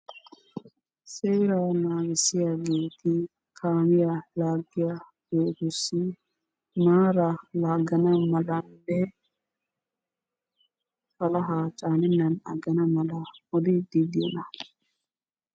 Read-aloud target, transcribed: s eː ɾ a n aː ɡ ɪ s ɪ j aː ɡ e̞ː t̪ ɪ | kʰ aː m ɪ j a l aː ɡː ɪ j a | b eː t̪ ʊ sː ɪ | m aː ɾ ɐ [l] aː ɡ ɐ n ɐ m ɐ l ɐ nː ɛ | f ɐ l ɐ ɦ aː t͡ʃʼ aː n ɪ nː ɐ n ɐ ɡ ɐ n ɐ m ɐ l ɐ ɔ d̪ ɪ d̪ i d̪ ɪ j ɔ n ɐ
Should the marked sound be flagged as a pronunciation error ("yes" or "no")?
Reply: no